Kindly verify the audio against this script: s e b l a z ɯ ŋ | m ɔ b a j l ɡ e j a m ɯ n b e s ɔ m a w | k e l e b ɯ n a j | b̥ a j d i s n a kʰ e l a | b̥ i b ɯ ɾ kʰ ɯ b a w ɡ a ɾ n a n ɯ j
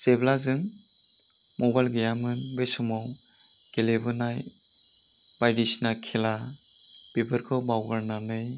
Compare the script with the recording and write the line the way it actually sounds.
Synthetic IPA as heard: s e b l a z ɯ ŋ | m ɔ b a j l ɡ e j a m ɯ n b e s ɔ m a w | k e l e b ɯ n a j | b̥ a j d i s n a kʰ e l a | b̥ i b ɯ ɾ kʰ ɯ b a w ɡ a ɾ n a n ɯ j